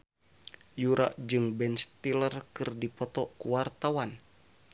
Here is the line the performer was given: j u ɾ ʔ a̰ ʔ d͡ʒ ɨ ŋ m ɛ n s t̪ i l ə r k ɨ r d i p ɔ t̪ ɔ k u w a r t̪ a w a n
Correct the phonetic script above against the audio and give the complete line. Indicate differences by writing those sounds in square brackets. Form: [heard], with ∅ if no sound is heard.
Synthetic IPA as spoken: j u ɾ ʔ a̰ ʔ d͡ʒ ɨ ŋ [b] ɛ n s t̪ i l ə r k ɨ r d i p ɔ t̪ ɔ k u w a r t̪ a w a n